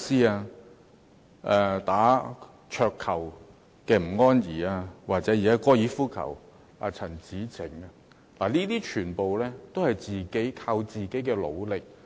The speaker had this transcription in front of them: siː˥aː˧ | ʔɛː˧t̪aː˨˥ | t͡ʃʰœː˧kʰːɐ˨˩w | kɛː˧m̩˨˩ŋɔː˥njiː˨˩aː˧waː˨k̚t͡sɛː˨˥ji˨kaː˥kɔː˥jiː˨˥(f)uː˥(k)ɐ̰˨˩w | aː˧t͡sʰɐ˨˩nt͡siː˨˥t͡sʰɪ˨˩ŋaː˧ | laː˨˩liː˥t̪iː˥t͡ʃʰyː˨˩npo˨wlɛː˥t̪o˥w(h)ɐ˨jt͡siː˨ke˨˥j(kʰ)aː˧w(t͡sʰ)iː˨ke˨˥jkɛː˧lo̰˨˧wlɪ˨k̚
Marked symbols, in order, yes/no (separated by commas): yes, no, yes, yes, no